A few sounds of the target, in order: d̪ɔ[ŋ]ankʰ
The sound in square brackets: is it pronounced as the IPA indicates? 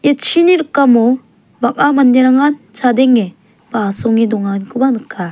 yes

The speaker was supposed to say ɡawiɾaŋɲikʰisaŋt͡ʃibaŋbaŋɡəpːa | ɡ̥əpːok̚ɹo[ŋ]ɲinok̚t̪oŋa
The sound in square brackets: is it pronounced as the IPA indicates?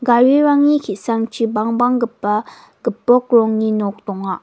yes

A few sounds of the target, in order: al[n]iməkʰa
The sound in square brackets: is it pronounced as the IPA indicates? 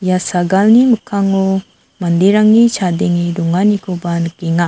yes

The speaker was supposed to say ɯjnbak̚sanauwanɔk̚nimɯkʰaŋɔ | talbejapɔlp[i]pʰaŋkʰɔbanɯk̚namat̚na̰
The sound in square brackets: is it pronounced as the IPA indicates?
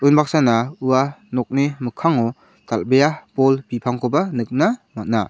yes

